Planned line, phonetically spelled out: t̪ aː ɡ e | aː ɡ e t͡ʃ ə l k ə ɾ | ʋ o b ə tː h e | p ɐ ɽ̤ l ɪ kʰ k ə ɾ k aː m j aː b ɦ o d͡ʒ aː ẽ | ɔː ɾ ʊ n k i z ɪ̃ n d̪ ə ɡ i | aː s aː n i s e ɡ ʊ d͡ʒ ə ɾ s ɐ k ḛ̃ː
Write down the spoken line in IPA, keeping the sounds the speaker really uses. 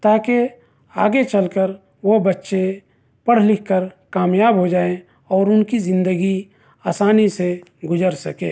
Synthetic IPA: t̪ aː k e | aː ɡ e t͡ʃ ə l k ə ɾ | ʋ o b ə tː ʃ e | p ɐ ɽ̤ l ɪ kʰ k ə ɾ k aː m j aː b ɦ o d͡ʒ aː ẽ | ɔː ɾ ʊ n k i z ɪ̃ n d̪ ə ɡ i | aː s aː n i s e ɡ ʊ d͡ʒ ə ɾ s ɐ k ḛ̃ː